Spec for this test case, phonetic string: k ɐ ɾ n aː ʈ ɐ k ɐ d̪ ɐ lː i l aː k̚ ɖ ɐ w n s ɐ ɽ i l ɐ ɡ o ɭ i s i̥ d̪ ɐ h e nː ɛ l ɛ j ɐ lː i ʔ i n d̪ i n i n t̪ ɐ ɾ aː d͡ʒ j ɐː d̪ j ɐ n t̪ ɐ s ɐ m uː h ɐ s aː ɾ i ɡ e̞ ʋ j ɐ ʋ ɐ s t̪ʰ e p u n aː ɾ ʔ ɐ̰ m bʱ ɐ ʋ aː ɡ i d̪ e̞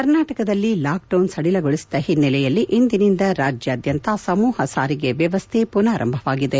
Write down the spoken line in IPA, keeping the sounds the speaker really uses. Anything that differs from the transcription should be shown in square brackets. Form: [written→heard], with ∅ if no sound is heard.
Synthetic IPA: k ɐ ɾ n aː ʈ ɐ k ɐ d̪ ɐ lː i l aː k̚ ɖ ɐ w n s ɐ ɽ i l ɐ ɡ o ɭ i s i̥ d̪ ɐ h [e→i] nː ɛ l ɛ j ɐ lː i ʔ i n d̪ i n i n [t̪→d̪] ɐ ɾ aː d͡ʒ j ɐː d̪ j ɐ n t̪ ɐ s ɐ m uː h ɐ s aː ɾ i ɡ e̞ ʋ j ɐ ʋ ɐ s t̪ʰ e p u n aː ɾ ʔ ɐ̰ m bʱ ɐ ʋ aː ɡ i d̪ e̞

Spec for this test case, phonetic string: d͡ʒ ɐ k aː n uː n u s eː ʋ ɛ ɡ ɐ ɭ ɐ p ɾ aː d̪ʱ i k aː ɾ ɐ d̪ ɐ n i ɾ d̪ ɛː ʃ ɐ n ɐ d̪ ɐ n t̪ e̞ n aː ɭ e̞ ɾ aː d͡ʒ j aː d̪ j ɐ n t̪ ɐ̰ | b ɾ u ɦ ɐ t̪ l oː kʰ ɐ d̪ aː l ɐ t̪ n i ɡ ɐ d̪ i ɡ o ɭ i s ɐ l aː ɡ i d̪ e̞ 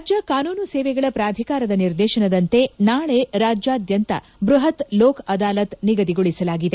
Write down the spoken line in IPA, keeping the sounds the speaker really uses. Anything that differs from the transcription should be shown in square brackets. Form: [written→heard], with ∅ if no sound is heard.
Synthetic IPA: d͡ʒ ɐ k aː n uː n u s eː ʋ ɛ ɡ ɐ ɭ ɐ p ɾ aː d̪ʱ i k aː ɾ ɐ d̪ ɐ n i ɾ d̪ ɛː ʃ ɐ n ɐ d̪ ɐ n t̪ e̞ n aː ɭ e̞ ɾ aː d͡ʒ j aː d̪ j ɐ n t̪ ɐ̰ | b ɾ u ɦ ɐ t̪ l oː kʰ ɐ d̪ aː l ɐ t̪ n i ɡ ɐ d̪ i ɡ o ɭ i s ɐ l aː ɡ i d̪ e̞

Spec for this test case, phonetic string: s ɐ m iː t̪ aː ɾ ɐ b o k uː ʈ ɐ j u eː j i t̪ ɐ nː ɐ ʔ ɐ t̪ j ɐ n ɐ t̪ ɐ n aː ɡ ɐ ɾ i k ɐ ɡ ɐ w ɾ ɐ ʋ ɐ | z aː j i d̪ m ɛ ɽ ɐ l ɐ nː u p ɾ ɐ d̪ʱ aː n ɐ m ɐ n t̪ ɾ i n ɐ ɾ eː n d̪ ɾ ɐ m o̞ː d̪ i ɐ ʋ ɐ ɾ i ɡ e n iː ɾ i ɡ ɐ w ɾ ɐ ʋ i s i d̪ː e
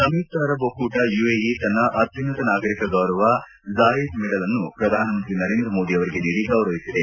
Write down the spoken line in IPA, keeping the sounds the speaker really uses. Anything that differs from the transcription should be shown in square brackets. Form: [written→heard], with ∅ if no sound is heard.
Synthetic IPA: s ɐ m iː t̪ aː ɾ ɐ b o k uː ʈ ɐ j u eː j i t̪ ɐ nː ɐ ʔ ɐ t̪ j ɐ n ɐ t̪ ɐ n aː ɡ ɐ ɾ i k ɐ ɡ ɐ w ɾ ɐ ʋ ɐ | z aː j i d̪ m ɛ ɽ ɐ l ɐ nː u p ɾ ɐ d̪ʱ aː n ɐ m ɐ n t̪ ɾ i n ɐ ɾ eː n d̪ ɾ ɐ m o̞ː d̪ i ɐ ʋ ɐ ɾ i ɡ e n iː ɾ i ɡ ɐ w ɾ ɐ ʋ i s i [d̪ː→d̪] e

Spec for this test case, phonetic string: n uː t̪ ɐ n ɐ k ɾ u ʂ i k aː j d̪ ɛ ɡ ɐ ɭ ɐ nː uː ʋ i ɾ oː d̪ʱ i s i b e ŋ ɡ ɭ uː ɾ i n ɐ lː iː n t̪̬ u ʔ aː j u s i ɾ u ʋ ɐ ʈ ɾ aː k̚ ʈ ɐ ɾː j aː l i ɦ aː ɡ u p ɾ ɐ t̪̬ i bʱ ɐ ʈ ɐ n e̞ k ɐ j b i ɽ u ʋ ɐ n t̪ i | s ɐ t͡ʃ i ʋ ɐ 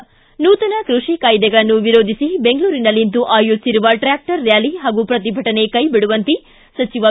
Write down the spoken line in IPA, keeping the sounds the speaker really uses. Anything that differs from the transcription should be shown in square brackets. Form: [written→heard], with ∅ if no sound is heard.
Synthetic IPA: n uː t̪ ɐ n ɐ k ɾ u ʂ i k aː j d̪ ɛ ɡ ɐ ɭ ɐ nː [uː→u] ʋ i ɾ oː d̪ʱ i s i b e ŋ ɡ ɭ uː ɾ i n ɐ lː [iː→i] n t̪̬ u ʔ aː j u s i ɾ u ʋ ɐ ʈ ɾ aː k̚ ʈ ɐ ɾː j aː l i ɦ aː ɡ u p ɾ ɐ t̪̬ i bʱ ɐ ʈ ɐ n e̞ k ɐ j b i ɽ u ʋ ɐ n t̪ i | s ɐ t͡ʃ i ʋ ɐ

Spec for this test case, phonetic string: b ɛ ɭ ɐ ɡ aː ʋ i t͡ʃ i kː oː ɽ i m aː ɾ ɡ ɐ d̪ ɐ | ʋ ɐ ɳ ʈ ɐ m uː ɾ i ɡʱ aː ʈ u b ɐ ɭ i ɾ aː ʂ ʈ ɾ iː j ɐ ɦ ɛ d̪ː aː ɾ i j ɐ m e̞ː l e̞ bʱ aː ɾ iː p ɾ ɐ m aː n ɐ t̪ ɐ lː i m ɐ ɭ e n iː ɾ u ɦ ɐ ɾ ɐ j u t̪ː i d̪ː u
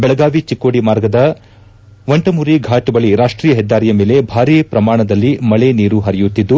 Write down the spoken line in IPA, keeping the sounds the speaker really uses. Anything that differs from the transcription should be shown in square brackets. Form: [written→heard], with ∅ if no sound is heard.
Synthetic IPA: b ɛ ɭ ɐ ɡ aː ʋ i t͡ʃ i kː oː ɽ i m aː ɾ ɡ ɐ d̪ ɐ | ʋ ɐ ɳ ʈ ɐ m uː ɾ i ɡʱ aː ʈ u b ɐ ɭ i ɾ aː ʂ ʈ ɾ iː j ɐ ɦ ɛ d̪ː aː ɾ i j ɐ m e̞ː l e̞ bʱ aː ɾ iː p ɾ ɐ m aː [n→ɳ] ɐ [t̪→d̪] ɐ lː i m ɐ ɭ e n iː ɾ u ɦ ɐ ɾ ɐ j u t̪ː i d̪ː u

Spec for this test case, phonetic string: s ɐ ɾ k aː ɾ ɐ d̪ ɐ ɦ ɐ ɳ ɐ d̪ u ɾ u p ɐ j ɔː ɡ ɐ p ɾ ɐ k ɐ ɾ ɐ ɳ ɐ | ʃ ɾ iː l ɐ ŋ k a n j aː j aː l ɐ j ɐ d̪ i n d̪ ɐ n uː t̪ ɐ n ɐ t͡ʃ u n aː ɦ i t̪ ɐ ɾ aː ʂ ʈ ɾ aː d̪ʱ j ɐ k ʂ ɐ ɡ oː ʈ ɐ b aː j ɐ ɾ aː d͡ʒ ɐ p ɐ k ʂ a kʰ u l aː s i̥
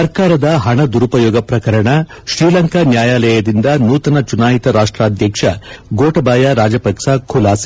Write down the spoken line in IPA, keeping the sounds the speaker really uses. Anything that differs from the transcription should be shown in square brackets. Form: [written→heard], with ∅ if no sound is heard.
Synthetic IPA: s ɐ ɾ k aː ɾ ɐ d̪ ɐ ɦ ɐ ɳ ɐ d̪ u ɾ u p ɐ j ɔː ɡ ɐ p ɾ ɐ k ɐ ɾ ɐ ɳ ɐ | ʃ ɾ iː l ɐ ŋ k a n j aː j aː l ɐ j ɐ d̪ i n d̪ ɐ n uː t̪ ɐ n ɐ t͡ʃ u n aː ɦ i t̪ ɐ ɾ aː ʂ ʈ ɾ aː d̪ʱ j ɐ k ʂ ɐ ɡ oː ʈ ɐ b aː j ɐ ɾ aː d͡ʒ ɐ p ɐ k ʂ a kʰ u l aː s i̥

